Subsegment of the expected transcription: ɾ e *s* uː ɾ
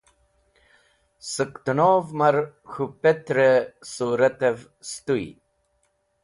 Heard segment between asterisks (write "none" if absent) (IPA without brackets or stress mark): s